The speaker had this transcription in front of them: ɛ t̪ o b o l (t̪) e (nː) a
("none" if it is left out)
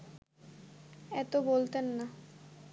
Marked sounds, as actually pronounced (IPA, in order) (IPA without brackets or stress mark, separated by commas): t̪, nː